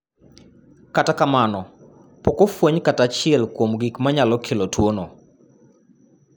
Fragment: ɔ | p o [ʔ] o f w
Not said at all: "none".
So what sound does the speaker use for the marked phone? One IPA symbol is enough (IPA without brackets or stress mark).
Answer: k